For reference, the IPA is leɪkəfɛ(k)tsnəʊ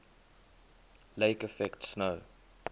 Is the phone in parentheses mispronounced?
no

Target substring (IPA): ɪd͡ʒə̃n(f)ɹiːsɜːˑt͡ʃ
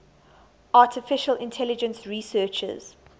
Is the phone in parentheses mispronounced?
yes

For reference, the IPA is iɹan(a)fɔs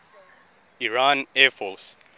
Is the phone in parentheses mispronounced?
yes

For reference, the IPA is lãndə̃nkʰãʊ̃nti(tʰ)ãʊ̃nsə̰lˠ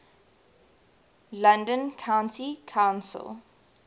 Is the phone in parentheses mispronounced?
yes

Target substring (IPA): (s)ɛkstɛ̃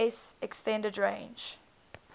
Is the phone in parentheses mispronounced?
no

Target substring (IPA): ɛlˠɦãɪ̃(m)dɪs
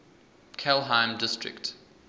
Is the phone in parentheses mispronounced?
no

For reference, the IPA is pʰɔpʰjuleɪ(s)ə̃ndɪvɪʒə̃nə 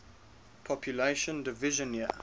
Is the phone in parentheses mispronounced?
yes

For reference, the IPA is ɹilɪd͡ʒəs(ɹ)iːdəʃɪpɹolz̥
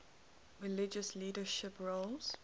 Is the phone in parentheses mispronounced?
yes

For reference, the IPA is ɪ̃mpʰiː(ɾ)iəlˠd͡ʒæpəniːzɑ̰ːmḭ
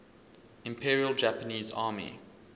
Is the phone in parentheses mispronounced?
yes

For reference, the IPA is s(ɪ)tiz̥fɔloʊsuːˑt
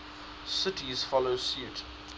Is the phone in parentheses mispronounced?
no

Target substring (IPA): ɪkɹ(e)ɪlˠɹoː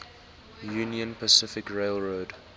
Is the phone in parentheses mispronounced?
no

